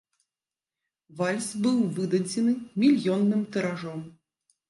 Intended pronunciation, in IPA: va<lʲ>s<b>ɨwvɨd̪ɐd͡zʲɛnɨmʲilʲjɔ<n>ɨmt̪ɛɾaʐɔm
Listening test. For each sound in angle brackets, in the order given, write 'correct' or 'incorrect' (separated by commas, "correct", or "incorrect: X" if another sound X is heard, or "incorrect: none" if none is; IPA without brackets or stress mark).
correct, correct, incorrect: nː